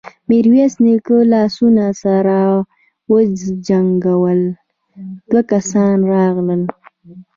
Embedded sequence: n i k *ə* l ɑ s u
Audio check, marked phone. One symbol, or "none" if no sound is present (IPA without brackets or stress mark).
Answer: ə